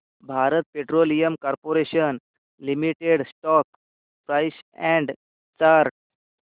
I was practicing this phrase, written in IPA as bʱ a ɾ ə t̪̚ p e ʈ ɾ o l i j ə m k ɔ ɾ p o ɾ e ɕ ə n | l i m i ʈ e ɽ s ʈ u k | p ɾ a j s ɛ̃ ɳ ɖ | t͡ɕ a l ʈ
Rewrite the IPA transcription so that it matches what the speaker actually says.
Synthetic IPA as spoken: bʱ a ɾ ə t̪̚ p e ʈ ɾ o l i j ə m k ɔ ɾ p o ɾ e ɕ ə n | l i m i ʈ e ɽ s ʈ ɔ k | p ɾ a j s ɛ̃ ɳ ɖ | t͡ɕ a ɾ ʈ